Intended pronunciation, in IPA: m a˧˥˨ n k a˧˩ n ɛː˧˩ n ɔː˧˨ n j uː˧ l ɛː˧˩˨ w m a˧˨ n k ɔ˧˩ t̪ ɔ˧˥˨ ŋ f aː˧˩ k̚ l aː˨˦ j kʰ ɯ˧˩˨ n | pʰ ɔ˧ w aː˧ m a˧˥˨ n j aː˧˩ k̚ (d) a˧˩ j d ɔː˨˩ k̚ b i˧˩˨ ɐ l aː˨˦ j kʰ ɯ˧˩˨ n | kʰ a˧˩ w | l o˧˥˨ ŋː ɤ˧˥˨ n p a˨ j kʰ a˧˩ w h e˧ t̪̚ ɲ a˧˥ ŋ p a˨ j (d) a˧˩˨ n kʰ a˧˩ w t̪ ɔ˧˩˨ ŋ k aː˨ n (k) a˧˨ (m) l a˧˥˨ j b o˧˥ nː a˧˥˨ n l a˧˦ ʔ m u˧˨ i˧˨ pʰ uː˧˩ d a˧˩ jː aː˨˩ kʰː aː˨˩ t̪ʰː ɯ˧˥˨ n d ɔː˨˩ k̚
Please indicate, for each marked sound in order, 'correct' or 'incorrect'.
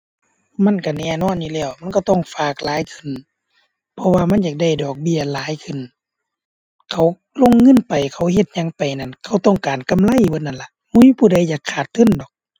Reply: correct, incorrect, correct, correct

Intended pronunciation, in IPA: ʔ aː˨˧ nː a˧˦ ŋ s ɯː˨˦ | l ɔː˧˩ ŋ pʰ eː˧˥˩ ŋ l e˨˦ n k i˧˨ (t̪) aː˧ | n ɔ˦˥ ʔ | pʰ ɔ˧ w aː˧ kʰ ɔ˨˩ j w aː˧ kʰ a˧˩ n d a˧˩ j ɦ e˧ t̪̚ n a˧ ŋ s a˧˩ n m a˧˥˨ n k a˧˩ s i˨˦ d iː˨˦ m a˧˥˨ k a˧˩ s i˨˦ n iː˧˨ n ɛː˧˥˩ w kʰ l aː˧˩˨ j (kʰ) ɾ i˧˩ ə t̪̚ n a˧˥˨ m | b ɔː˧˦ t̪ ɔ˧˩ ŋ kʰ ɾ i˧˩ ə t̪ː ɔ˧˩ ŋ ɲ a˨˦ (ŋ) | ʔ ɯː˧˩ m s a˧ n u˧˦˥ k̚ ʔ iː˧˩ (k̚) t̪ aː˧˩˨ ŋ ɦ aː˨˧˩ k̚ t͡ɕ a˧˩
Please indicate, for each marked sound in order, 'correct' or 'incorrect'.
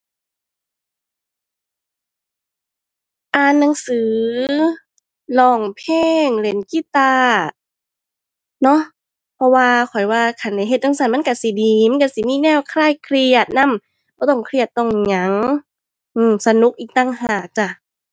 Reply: correct, correct, correct, correct

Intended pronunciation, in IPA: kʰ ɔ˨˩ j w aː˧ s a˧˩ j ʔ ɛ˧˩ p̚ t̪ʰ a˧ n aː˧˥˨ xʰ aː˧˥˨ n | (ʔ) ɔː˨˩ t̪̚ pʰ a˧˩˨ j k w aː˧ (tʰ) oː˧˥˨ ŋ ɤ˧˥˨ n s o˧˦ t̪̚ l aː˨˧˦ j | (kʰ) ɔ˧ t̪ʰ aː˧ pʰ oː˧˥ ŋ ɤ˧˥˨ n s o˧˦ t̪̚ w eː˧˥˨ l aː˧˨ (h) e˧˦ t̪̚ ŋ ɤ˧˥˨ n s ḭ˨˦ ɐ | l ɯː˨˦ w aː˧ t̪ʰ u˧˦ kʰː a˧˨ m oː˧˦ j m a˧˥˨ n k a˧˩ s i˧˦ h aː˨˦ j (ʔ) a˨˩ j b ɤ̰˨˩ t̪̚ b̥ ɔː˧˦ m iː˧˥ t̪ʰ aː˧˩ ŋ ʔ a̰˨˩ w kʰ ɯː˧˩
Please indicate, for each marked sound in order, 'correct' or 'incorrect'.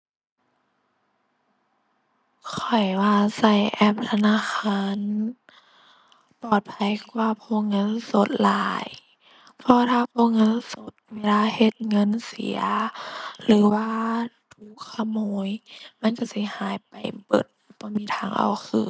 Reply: incorrect, incorrect, incorrect, correct, incorrect

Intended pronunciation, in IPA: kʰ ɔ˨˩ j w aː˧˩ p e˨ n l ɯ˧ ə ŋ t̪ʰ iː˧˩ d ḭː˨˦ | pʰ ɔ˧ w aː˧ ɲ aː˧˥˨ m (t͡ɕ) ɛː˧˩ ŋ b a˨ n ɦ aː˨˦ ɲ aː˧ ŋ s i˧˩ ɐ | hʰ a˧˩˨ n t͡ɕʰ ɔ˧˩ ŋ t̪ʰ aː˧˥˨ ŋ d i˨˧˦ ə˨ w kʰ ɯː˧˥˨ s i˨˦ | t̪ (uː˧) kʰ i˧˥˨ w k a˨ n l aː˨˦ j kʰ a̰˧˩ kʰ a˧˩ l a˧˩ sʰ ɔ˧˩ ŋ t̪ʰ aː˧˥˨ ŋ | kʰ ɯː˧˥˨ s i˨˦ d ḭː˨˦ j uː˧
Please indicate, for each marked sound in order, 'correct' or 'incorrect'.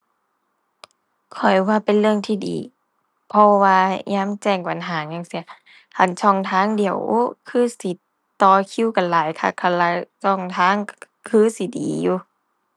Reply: correct, incorrect

